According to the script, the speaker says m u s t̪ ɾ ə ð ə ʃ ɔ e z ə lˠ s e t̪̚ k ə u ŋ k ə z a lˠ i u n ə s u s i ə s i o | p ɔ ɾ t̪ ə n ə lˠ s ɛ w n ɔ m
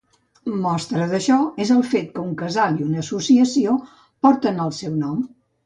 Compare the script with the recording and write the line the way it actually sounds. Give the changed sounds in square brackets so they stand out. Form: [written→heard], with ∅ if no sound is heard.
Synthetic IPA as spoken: m [u→ɔ] s t̪ ɾ ə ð ə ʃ ɔ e z ə lˠ [s→f] e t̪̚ k ə u ŋ k ə z a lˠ i u n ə s u s i ə s i o | p ɔ ɾ t̪ ə n ə lˠ s ɛ w n ɔ m